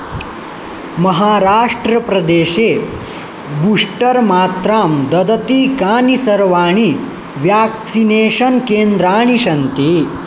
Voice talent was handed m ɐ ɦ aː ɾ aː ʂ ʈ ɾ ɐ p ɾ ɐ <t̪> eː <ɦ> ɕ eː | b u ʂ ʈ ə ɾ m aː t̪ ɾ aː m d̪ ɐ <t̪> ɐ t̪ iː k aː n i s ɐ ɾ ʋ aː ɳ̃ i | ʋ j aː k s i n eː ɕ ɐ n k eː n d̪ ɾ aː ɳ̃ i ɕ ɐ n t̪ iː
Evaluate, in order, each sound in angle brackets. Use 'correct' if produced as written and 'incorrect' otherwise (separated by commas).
incorrect, incorrect, incorrect